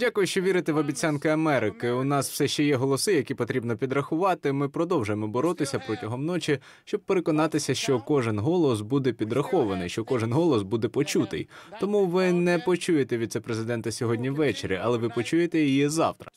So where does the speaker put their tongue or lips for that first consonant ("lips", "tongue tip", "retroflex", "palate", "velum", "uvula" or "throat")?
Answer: tongue tip